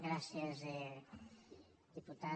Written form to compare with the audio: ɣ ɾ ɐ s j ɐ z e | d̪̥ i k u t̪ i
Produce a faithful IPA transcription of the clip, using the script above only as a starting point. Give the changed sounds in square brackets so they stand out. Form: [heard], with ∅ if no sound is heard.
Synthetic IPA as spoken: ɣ ɾ [a] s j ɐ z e | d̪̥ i [p] u t̪ [a]